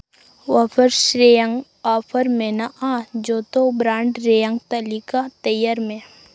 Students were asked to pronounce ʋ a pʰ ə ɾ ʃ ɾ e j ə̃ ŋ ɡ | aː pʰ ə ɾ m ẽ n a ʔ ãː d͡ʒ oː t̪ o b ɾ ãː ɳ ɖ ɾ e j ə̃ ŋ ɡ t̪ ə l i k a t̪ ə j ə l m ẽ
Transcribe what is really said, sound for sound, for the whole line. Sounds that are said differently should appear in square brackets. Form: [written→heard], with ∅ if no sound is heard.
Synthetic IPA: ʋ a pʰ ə ɾ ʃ ɾ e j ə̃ ŋ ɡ | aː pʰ ə ɾ m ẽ n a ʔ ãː d͡ʒ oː t̪ o b ɾ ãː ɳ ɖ ɾ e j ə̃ ŋ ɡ t̪ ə l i k a t̪ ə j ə [l→ɾ] m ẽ